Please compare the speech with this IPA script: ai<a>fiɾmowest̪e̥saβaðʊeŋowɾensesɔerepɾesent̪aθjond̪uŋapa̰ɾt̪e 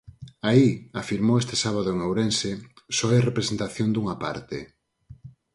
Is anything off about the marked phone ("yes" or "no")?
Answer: no